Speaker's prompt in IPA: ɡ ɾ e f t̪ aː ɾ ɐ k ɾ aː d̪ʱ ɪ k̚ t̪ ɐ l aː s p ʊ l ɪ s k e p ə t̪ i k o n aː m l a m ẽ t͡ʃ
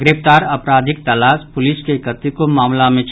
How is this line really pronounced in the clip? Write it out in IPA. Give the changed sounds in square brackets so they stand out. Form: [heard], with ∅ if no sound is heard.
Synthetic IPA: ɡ ɾ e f t̪ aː ɾ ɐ [p] ɾ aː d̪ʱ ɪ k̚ t̪ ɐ l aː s p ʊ l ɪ s k e [k] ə t̪ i k o [m] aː m l a m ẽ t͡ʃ

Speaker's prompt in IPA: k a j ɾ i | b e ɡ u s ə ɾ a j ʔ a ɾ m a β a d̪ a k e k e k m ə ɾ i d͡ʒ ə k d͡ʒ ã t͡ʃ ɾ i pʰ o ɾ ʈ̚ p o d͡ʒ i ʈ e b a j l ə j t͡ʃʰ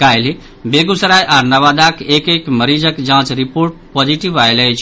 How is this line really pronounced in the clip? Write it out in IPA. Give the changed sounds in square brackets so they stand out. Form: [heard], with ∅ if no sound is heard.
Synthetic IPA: k a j [l] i | b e ɡ u s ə ɾ a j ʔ a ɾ [n] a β a d̪ a k e k e k m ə ɾ i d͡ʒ ə k d͡ʒ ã t͡ʃ ɾ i [p] o ɾ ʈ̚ p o d͡ʒ i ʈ [i] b a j l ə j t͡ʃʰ

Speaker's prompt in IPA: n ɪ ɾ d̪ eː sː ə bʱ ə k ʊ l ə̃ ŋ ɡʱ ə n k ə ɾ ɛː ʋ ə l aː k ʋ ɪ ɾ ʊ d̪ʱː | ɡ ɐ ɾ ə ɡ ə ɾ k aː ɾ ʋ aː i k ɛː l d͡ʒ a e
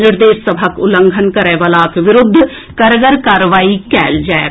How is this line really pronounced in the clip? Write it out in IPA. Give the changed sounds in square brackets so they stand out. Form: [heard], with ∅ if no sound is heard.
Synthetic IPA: n ɪ ɾ d̪ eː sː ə bʱ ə k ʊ l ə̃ ŋ ɡʱ ə n k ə ɾ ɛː ʋ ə l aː k ʋ ɪ ɾ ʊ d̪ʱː | [k] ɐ ɾ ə ɡ ə ɾ k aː ɾ ʋ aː i k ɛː l d͡ʒ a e

